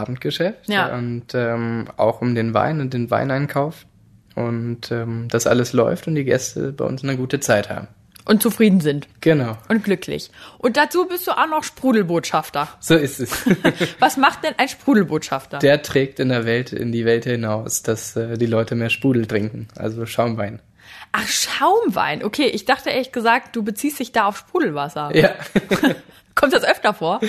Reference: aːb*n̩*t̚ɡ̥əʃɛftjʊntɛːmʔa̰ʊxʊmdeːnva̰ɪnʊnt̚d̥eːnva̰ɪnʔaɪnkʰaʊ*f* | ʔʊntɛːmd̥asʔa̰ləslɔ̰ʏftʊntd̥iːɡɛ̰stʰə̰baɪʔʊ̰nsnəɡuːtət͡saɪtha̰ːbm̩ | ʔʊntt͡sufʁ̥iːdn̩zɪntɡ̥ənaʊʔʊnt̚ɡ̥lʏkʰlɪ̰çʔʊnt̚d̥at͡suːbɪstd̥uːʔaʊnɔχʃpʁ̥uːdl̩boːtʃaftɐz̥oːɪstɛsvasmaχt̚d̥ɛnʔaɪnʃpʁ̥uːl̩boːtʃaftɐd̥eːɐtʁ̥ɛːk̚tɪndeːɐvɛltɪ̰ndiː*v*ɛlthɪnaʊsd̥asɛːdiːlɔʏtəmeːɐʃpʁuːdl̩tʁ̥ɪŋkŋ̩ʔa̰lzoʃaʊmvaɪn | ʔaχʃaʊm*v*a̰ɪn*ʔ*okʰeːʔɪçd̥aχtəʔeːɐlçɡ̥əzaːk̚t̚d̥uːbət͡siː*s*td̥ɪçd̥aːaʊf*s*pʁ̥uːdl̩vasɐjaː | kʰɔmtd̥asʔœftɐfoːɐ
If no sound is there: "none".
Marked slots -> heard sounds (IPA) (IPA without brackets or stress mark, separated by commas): m̩, f, v, v, ʔ, s, ʃ